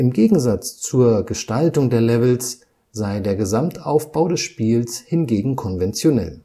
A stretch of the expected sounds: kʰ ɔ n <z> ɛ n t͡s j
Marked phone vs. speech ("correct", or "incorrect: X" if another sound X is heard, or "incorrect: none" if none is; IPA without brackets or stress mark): incorrect: v